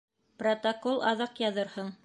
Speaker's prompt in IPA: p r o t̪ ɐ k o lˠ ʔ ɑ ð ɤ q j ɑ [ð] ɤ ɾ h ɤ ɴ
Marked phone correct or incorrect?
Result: correct